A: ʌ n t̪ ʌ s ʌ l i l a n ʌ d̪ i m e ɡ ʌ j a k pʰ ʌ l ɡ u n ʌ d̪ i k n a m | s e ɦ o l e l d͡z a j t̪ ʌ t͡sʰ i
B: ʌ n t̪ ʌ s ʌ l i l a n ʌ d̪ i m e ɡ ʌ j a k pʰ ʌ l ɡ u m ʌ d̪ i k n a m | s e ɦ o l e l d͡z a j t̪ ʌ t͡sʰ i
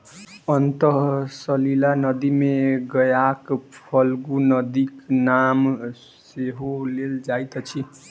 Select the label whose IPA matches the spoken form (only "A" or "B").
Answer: A